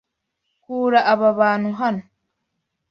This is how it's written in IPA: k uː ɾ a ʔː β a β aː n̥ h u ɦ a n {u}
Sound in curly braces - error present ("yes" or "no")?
yes